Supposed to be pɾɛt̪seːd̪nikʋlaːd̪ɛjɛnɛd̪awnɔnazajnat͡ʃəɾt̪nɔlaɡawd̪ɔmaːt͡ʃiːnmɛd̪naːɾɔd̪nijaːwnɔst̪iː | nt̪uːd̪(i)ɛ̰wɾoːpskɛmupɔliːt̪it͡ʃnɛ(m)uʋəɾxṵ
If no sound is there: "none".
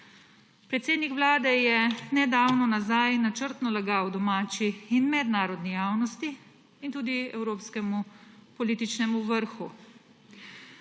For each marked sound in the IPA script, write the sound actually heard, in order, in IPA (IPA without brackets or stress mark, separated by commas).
i, m